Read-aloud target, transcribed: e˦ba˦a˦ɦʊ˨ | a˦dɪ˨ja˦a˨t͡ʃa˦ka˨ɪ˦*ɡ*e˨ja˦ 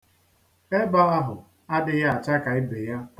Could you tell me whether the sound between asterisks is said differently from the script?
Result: yes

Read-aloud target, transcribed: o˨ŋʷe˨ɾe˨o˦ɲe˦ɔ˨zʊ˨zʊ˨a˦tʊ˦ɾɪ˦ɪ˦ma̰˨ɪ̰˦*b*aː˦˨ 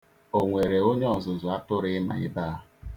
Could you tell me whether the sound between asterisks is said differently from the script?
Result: no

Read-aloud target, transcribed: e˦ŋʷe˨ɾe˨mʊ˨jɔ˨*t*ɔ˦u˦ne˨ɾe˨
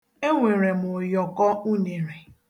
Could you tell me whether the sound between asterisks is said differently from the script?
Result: yes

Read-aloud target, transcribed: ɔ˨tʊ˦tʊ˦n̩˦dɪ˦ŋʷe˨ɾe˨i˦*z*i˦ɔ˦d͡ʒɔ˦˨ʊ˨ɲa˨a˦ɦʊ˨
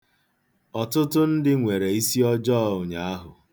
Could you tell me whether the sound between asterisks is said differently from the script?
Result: yes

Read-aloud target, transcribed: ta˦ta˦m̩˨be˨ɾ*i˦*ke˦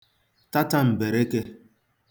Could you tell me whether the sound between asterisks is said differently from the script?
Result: yes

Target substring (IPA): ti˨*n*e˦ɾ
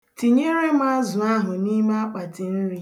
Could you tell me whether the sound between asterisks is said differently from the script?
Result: yes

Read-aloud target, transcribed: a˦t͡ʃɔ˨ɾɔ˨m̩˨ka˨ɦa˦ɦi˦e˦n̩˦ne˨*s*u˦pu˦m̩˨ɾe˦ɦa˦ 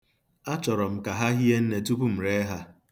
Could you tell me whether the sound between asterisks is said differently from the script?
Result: yes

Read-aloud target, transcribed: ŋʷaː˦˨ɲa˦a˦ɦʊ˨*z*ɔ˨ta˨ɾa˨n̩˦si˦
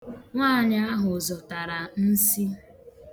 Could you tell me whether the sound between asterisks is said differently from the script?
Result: no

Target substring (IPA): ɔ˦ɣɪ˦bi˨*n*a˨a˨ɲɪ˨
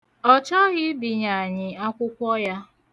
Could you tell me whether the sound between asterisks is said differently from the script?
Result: yes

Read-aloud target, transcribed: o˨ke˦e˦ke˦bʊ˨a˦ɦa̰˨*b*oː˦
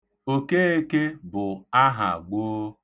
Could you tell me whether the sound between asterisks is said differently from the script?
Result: yes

